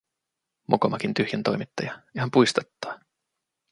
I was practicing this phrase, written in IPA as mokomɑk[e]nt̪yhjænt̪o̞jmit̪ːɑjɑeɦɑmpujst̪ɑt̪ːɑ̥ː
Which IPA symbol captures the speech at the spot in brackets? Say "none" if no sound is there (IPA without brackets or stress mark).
i